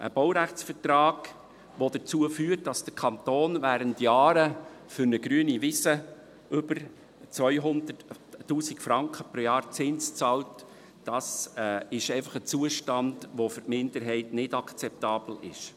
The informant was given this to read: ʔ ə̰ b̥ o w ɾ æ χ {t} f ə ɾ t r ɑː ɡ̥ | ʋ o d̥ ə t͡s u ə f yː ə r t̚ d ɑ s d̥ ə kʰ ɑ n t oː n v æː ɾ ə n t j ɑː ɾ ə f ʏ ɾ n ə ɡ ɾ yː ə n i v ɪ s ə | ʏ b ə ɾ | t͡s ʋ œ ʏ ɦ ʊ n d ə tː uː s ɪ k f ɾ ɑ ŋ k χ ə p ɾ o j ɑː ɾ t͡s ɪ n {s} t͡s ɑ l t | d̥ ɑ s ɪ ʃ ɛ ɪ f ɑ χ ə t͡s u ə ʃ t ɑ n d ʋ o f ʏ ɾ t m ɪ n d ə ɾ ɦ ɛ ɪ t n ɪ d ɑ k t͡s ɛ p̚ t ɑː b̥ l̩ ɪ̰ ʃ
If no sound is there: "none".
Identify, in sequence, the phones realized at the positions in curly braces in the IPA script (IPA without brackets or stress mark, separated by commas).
t͡s, s